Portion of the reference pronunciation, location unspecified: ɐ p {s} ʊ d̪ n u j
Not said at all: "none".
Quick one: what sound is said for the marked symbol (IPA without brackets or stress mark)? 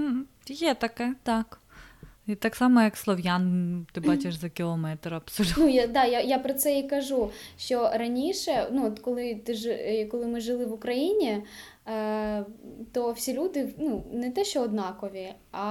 s